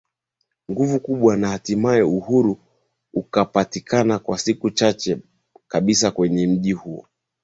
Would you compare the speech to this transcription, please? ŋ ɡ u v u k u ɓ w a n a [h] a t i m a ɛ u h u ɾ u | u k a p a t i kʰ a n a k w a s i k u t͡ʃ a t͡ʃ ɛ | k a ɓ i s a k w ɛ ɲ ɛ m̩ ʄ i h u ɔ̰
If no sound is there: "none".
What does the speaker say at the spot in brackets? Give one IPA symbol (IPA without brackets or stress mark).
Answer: h